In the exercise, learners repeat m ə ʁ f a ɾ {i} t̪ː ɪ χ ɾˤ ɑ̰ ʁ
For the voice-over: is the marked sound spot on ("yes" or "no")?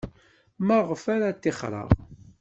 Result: no